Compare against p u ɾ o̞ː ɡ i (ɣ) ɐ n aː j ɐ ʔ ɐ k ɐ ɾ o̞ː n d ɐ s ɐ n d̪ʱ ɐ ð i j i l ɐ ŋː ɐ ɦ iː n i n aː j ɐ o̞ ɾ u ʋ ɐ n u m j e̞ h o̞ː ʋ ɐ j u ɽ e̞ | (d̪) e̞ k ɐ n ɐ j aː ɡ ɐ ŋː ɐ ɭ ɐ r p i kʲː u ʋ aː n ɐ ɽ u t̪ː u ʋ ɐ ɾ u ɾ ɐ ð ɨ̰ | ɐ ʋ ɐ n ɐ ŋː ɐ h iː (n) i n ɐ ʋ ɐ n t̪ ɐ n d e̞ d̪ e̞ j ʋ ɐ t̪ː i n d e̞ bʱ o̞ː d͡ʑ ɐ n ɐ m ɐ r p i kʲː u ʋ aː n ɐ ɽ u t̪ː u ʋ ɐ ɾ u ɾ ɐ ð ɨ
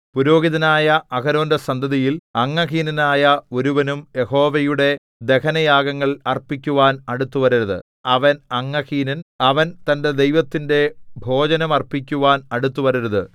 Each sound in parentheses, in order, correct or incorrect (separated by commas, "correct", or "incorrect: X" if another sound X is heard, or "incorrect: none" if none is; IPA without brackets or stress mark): incorrect: ð, correct, correct